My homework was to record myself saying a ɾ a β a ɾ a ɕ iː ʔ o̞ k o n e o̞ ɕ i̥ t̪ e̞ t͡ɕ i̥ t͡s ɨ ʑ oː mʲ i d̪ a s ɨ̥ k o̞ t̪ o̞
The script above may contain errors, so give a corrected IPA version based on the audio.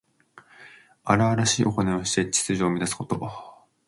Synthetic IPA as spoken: a ɾ a β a ɾ a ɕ iː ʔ o̞ k o n e o̞ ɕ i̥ t̪ e̞ t͡ɕ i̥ t͡s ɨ ʑ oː mʲ i d̪ a s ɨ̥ k o̞ t̪ o̞